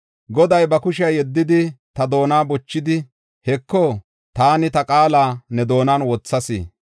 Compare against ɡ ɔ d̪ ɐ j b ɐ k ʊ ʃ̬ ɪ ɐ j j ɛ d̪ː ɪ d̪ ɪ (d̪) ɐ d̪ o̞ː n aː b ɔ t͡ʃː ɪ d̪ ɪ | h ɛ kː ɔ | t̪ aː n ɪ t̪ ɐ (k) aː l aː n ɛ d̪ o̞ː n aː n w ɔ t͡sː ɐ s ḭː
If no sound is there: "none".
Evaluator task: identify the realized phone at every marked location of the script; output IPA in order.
t̪, kʼ

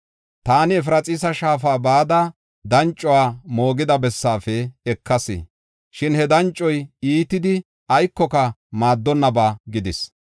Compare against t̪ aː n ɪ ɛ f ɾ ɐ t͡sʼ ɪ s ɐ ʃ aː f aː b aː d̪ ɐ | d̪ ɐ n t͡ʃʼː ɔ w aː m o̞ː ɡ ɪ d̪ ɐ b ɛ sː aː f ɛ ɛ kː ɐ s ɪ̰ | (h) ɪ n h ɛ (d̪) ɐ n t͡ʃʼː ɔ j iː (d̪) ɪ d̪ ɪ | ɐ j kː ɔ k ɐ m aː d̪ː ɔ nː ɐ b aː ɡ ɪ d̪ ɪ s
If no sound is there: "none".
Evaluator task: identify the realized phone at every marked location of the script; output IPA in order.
ʃ, d̪, t̪

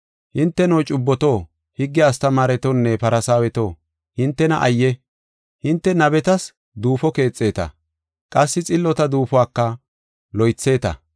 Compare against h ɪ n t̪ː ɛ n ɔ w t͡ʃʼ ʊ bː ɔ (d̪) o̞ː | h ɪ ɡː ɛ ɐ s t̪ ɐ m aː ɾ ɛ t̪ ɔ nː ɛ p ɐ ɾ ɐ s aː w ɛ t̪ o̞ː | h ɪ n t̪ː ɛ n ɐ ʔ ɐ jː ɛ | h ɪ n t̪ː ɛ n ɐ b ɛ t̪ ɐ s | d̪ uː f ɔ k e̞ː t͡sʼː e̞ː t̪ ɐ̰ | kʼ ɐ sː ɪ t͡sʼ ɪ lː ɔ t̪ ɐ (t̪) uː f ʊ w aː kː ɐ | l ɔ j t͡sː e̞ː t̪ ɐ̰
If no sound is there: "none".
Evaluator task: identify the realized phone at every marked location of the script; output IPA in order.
t̪, d̪

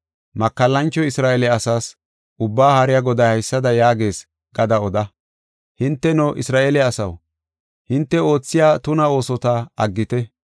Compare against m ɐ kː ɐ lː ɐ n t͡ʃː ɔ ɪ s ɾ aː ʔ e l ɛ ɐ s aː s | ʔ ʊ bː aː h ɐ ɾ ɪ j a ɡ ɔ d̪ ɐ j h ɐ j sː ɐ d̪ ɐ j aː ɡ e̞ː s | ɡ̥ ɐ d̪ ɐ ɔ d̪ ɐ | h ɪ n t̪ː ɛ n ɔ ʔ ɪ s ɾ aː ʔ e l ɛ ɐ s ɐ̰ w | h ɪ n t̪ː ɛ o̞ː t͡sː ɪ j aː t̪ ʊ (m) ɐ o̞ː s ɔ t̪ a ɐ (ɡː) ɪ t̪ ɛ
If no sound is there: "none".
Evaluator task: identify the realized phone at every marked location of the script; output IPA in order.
n, ɡː

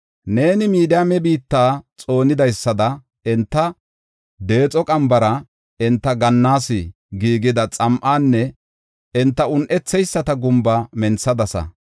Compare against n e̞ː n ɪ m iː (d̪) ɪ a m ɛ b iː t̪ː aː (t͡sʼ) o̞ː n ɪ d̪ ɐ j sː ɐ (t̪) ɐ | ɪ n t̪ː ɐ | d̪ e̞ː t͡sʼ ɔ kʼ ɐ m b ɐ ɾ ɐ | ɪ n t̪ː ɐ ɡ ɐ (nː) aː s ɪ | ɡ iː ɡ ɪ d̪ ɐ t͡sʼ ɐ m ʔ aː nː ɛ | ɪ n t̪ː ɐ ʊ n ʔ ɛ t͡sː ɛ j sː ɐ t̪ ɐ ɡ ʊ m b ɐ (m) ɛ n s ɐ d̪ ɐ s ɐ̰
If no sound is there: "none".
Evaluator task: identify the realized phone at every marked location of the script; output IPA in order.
d̪, t͡sʼ, d̪, nː, m

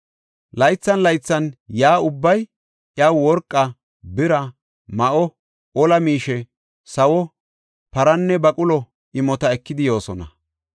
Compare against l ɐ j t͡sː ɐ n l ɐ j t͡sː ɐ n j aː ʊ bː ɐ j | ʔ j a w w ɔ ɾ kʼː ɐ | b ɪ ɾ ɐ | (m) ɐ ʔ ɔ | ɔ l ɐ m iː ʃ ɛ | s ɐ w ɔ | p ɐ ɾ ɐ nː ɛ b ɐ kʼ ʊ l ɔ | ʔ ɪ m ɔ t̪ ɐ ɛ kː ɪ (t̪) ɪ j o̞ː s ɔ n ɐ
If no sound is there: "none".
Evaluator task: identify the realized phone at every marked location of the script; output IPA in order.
m, d̪

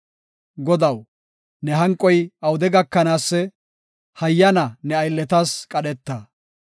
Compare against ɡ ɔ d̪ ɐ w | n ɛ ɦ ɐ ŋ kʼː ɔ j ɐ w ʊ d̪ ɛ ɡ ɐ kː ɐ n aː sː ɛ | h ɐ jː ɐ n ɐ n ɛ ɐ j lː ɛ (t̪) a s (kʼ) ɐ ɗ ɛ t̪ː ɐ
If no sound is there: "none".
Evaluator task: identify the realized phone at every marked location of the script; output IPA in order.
t̪, kʼ

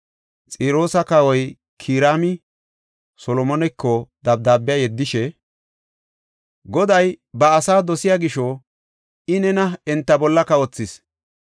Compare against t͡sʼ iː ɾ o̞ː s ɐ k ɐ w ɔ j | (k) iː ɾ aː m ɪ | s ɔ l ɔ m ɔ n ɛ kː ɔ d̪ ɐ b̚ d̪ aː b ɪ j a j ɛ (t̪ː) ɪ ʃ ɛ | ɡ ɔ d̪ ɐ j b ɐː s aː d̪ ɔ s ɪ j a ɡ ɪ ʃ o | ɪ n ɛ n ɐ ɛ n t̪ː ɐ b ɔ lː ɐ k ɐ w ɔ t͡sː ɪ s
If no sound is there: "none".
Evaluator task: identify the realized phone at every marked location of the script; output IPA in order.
kʰ, d̪ː

